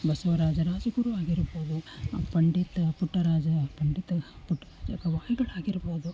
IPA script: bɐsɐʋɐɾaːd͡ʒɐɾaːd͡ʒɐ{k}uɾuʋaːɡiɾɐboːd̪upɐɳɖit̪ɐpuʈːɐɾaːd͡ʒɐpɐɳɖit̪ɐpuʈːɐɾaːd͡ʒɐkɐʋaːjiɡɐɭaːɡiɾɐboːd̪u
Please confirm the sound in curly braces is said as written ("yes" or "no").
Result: no